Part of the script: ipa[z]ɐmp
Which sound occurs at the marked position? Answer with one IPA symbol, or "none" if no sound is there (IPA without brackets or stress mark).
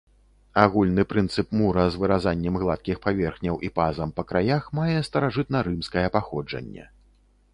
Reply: z